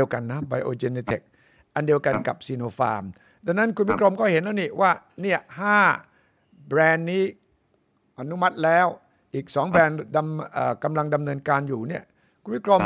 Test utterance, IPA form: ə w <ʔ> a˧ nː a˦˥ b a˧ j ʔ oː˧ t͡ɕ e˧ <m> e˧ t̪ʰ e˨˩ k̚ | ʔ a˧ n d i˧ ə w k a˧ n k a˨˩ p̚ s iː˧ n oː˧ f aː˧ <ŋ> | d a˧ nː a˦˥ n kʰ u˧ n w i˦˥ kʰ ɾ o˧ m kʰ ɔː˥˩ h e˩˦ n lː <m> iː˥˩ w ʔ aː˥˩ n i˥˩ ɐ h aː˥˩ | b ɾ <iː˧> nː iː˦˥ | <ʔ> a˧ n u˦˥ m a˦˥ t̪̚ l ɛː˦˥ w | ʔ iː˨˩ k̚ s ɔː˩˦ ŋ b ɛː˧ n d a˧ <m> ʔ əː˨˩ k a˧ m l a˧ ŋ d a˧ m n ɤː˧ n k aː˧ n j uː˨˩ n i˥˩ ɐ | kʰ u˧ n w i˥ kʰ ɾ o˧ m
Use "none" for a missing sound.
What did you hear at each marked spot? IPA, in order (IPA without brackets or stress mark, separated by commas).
k, n, m, n, ɛː˧, ʔ, m